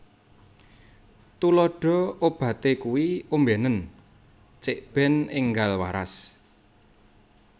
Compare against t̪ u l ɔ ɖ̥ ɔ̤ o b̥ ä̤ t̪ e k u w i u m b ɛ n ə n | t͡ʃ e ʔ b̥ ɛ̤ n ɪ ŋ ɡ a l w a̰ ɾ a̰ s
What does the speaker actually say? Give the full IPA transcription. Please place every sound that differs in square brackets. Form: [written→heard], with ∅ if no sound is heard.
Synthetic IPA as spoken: t̪ u l ɔ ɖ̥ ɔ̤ o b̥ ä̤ t̪ e k u w i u m b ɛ n ə n | t͡ʃ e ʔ b̥ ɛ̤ n ɪ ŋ ɡ a l w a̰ ɾ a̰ s